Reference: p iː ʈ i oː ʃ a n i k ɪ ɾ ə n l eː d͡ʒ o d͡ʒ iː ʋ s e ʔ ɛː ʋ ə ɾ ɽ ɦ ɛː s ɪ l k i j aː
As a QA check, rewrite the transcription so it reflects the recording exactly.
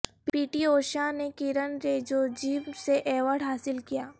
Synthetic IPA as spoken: p iː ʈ i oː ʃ a n e k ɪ ɾ ə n ɾ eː d͡ʒ o d͡ʒ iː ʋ s e ʔ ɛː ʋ ə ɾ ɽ ɦ aː s ɪ l k i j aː